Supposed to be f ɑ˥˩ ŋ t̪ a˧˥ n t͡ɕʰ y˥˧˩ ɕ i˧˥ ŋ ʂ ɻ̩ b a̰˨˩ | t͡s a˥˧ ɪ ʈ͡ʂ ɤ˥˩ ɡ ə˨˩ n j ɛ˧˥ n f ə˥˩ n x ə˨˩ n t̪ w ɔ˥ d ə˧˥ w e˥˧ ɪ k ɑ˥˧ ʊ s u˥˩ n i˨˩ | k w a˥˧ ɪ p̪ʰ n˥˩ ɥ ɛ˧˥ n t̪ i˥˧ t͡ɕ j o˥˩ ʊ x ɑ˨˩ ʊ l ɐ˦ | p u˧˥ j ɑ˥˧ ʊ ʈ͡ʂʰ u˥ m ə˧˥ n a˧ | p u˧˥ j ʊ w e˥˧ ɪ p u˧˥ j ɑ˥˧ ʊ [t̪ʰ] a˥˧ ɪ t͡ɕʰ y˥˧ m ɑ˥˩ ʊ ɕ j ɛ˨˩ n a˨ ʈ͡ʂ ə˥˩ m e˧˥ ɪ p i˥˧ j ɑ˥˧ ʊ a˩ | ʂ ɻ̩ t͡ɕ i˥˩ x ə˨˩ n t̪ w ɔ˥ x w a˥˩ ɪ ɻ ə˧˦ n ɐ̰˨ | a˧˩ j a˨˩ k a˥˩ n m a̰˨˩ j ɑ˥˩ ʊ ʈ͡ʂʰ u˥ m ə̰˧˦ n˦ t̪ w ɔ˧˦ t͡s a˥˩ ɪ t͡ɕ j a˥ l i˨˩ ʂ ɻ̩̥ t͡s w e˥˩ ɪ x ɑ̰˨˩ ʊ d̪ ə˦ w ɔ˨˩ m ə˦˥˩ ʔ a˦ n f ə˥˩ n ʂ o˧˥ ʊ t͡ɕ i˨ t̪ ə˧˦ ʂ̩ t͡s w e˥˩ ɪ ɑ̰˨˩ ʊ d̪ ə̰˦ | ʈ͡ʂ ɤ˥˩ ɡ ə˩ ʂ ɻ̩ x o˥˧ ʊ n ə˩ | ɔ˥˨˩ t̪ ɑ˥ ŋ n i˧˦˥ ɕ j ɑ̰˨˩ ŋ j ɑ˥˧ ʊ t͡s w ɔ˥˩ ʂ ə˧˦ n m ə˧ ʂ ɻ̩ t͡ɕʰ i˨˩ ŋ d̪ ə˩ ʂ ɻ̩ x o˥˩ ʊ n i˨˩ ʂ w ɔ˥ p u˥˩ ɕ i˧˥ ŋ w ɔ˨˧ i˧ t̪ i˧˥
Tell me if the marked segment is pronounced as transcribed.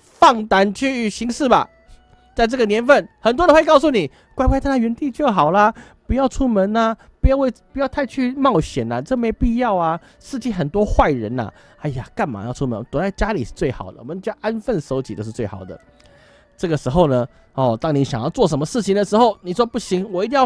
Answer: yes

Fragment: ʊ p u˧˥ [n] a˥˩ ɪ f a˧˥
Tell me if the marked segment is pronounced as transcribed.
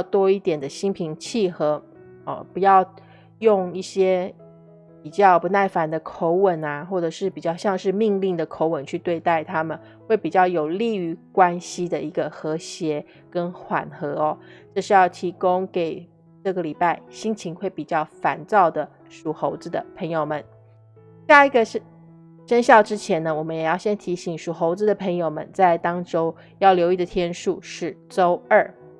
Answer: yes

